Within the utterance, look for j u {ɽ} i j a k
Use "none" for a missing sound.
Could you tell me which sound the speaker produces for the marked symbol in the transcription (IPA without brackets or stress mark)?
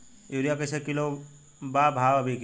ɾ